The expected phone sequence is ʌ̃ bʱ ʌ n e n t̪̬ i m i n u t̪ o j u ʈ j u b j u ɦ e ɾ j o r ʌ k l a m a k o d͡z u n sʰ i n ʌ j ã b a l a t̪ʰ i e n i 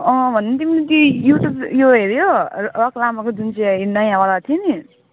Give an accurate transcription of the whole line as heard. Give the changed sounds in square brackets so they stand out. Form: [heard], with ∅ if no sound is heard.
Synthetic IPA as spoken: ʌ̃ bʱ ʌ n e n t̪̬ i m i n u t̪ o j u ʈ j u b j [o] ɦ e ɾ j o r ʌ k l a m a k o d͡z u n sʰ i n ʌ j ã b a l a t̪ʰ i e n i